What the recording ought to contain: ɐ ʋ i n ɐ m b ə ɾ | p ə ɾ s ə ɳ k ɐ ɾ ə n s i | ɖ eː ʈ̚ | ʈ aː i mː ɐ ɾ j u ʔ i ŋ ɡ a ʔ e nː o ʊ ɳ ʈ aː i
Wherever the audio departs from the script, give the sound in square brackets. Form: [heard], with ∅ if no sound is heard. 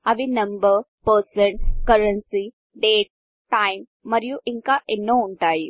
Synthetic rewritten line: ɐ ʋ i n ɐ m b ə ɾ | p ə ɾ s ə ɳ k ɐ ɾ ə n s i | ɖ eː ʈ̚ | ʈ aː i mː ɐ ɾ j u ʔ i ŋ [k] a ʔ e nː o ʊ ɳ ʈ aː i

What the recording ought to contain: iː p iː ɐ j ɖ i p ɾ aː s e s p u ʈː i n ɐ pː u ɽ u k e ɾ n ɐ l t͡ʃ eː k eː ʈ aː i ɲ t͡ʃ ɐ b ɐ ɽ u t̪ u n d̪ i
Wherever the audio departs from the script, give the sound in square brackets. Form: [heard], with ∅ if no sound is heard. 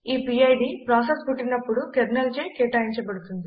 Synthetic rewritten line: iː p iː ɐ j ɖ i p ɾ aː s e s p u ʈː i n ɐ pː u ɽ u k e ɾ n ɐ l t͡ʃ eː k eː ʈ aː i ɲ t͡ʃ ɐ b ɐ ɽ u t̪ u n d̪ i

